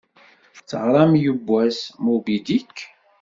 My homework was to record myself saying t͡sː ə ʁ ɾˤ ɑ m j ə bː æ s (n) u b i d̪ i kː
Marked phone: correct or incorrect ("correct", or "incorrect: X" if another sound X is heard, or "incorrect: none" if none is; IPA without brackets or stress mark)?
incorrect: m